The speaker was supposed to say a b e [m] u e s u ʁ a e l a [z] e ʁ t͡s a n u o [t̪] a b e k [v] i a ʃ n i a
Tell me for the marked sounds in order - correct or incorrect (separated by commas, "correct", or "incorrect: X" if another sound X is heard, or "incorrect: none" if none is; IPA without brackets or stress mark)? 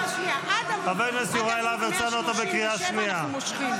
incorrect: n, incorrect: v, correct, incorrect: ʁ